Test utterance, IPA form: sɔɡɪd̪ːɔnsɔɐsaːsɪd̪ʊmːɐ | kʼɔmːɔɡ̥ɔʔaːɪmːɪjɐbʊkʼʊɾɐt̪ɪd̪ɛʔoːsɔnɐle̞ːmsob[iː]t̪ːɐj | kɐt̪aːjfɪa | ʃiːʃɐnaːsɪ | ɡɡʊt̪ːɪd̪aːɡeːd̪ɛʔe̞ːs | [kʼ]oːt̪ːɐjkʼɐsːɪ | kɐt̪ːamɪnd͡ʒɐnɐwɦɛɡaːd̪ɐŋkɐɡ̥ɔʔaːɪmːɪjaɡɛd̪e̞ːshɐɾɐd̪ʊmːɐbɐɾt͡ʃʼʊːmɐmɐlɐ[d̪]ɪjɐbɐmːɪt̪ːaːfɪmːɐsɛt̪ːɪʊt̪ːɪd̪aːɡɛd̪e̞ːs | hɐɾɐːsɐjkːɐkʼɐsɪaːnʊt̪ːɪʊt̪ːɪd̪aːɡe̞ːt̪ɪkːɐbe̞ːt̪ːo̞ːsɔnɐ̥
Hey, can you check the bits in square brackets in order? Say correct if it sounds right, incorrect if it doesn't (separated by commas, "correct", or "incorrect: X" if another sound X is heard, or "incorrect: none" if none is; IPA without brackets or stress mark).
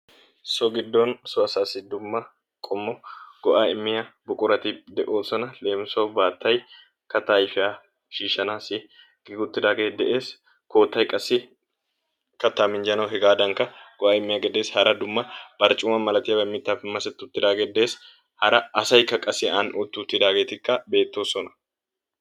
incorrect: aː, incorrect: k, incorrect: t̪